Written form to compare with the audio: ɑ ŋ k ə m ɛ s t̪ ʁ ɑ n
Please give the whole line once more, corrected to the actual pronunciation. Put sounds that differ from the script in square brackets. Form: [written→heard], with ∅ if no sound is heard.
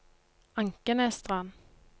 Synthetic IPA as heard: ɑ ŋ k ə [m→n] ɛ s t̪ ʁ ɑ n

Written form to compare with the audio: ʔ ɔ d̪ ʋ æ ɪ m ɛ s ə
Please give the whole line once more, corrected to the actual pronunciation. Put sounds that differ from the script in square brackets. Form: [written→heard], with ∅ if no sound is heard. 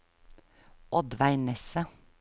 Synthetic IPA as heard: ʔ ɔ d̪ ʋ æ ɪ [m→n] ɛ s ə

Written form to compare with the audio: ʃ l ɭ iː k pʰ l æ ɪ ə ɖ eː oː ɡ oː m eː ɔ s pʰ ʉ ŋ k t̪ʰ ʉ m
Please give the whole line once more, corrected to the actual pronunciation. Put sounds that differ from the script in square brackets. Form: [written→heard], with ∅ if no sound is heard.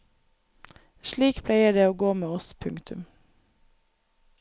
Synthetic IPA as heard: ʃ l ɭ iː k pʰ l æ ɪ ə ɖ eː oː ɡ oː m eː ɔ s pʰ ʉ ŋ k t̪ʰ ʉ m

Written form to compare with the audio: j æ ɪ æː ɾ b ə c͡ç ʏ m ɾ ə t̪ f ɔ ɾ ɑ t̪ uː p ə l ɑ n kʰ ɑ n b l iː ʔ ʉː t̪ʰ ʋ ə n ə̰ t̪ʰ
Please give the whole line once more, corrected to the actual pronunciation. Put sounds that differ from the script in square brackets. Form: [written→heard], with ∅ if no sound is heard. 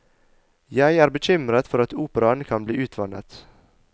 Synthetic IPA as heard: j æ ɪ æː ɾ b ə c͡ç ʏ m ɾ ə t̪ f ɔ ɾ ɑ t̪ uː p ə [l→ɾ] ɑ n kʰ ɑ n b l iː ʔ ʉː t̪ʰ ʋ [ə→ɑ] n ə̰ [t̪ʰ→t̪]

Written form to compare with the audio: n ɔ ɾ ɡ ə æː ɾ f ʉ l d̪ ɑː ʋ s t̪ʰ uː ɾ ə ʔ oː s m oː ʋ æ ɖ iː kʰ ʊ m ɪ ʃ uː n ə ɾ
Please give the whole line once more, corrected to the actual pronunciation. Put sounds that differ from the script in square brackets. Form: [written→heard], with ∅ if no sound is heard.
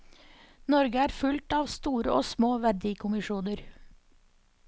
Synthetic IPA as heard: n ɔ ɾ ɡ ə æː ɾ f ʉ l [d̪→t̪] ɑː ʋ s [t̪ʰ→t̪] uː ɾ ə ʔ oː s m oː ʋ æ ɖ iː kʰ ʊ m ɪ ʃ uː n ə ɾ

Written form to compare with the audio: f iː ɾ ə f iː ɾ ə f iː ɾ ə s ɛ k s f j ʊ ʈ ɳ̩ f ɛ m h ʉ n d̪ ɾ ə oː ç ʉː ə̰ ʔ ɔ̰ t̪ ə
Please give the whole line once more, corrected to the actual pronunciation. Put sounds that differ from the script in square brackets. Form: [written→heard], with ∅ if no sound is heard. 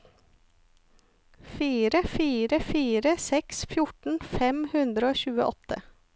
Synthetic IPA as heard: f iː ɾ ə f iː ɾ ə f iː ɾ ə s ɛ k s f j ʊ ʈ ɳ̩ f ɛ m h ʉ n d̪ ɾ ə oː ç ʉː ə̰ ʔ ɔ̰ t̪ ə

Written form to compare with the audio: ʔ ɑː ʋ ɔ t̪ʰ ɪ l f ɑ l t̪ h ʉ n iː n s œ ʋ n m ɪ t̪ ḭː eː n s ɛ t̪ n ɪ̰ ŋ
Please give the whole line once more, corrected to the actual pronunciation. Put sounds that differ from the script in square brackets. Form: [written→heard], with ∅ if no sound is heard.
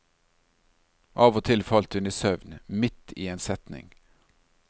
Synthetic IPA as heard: ʔ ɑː ʋ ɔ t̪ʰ ɪ l f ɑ l t̪ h ʉ n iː [n→∅] s œ ʋ n m ɪ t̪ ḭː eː n s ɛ t̪ n ɪ̰ ŋ

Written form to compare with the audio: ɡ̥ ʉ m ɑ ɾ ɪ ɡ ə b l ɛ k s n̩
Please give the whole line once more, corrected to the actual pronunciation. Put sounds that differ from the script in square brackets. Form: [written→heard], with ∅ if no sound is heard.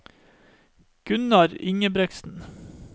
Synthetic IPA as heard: ɡ̥ ʉ [m→n] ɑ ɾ ɪ [ɡ→ŋ] ə b [l→ɾ] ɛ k s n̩

